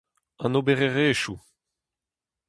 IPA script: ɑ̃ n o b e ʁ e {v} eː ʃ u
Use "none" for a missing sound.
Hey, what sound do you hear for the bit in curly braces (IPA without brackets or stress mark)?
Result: ʁ